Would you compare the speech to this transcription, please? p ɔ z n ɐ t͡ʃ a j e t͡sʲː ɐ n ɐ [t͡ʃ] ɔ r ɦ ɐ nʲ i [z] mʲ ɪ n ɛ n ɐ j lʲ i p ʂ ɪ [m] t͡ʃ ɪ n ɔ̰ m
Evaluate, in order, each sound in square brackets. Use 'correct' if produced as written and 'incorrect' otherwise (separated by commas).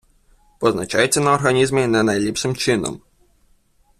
incorrect, correct, correct